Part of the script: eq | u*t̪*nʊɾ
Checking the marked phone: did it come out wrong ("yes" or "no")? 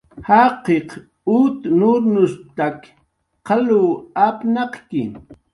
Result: no